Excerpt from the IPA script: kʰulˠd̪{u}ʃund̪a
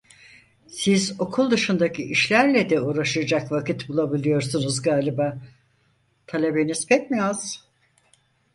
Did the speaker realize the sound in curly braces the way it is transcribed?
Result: no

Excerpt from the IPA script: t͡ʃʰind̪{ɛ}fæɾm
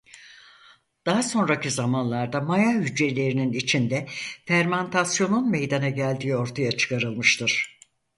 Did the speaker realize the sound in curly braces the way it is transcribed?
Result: yes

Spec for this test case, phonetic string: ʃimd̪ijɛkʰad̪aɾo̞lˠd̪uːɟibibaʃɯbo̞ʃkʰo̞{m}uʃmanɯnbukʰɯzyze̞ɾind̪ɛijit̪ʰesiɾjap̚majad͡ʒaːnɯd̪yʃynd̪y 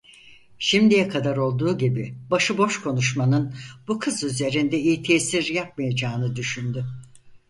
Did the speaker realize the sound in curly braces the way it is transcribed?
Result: no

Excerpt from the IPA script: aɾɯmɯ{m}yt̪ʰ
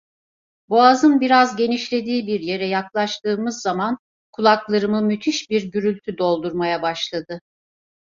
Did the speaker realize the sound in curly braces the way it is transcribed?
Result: yes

